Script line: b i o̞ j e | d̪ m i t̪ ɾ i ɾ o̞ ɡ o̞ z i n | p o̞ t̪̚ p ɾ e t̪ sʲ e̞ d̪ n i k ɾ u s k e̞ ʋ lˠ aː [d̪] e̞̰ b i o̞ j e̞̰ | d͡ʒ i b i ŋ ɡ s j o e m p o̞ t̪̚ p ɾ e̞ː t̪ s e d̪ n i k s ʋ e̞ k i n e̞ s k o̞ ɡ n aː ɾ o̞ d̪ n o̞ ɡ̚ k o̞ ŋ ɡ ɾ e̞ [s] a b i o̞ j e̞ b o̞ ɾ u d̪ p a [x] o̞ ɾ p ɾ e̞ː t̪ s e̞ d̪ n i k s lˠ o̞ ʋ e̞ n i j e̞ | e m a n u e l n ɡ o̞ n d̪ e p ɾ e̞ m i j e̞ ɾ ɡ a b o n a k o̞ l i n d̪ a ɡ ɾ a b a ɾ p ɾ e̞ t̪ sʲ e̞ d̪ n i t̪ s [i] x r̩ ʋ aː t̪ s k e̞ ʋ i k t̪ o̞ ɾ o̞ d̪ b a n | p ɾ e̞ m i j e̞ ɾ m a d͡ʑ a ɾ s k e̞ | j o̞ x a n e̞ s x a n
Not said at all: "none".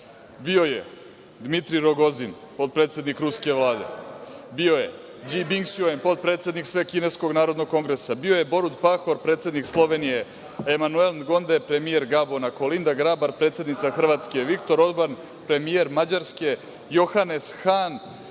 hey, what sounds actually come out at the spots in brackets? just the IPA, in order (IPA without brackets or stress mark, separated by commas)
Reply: d̪, s, x, a